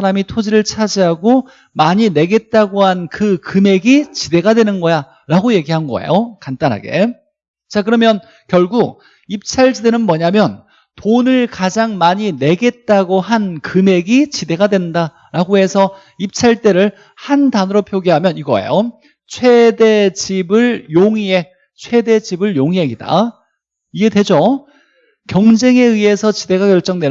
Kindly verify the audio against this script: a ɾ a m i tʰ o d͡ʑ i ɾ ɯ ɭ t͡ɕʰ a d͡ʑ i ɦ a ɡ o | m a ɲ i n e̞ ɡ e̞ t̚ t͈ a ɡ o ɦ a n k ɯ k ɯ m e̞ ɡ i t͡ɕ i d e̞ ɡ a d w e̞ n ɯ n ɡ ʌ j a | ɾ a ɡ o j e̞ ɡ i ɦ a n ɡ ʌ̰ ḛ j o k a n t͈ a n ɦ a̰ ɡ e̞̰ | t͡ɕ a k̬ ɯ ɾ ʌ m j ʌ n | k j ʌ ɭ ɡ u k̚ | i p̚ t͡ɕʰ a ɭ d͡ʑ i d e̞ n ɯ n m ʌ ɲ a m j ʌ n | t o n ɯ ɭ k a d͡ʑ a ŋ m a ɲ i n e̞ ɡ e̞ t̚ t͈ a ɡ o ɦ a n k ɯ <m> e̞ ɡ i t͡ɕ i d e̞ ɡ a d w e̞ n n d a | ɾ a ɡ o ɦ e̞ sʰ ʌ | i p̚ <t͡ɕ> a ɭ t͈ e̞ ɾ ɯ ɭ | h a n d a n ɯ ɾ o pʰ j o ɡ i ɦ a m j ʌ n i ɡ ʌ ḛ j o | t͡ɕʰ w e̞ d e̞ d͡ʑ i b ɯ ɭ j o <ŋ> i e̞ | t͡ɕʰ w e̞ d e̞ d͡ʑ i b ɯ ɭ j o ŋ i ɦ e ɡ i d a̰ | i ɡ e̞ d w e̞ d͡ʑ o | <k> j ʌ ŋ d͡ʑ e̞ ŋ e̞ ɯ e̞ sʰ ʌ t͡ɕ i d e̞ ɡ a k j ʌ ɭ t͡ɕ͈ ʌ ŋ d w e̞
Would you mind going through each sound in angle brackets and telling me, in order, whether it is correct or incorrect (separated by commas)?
correct, incorrect, correct, correct